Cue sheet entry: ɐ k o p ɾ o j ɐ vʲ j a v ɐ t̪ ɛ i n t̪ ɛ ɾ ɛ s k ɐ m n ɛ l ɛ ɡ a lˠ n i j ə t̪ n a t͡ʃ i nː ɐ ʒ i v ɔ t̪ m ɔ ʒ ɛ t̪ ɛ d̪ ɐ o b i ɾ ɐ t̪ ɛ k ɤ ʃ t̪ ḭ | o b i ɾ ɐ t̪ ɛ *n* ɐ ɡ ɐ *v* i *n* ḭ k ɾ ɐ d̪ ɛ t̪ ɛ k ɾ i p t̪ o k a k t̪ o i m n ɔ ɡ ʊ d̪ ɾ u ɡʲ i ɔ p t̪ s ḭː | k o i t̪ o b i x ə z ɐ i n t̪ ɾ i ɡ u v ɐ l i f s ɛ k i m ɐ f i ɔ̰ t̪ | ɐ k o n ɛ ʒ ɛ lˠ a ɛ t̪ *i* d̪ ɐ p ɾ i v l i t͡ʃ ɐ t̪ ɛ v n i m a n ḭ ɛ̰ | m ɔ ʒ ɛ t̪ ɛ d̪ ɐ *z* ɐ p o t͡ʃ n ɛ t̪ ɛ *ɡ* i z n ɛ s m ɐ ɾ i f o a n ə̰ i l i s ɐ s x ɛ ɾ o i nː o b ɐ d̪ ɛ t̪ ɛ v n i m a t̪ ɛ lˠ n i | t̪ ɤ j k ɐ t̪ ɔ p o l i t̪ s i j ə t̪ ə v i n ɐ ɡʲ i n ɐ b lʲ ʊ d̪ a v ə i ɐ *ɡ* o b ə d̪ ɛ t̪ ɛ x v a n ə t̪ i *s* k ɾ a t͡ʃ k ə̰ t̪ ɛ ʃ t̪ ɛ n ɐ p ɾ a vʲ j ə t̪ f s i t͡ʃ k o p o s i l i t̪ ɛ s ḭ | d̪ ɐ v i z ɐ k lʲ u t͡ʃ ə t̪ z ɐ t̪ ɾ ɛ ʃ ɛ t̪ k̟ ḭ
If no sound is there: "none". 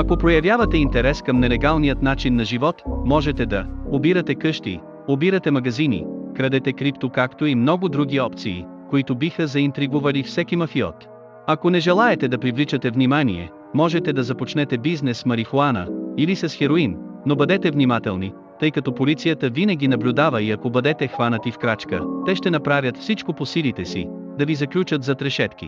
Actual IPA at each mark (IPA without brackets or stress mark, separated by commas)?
m, z, n, ɛ, z, b, k, f